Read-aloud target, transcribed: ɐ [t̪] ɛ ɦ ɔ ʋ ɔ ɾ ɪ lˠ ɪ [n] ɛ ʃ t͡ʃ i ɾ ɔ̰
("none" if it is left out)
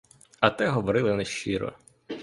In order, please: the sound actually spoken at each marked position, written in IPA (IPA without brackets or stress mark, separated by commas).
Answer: t̪, n